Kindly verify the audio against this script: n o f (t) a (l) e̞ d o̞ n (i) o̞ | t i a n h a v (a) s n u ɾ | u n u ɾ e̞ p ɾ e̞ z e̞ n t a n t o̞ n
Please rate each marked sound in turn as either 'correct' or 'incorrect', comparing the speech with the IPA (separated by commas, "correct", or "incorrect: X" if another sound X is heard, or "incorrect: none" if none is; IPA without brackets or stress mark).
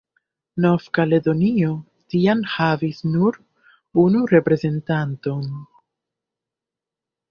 incorrect: k, correct, correct, incorrect: i